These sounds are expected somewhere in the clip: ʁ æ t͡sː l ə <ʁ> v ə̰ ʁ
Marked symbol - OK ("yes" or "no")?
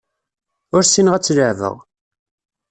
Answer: no